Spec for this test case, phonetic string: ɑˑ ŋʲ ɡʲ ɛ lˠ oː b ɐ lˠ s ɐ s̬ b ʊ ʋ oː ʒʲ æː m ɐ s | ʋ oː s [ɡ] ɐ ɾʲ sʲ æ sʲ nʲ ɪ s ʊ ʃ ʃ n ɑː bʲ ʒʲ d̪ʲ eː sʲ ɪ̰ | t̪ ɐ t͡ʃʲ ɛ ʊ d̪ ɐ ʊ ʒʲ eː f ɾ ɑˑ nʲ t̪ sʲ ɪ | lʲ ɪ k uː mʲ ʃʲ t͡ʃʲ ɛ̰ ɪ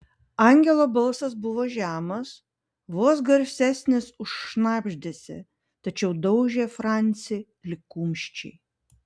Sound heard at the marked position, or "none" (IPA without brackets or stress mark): ɡ